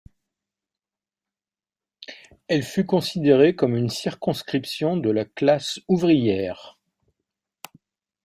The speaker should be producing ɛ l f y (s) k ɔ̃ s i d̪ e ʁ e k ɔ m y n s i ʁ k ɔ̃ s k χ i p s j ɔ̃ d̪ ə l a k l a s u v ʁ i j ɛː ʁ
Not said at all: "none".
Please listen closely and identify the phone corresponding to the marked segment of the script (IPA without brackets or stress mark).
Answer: none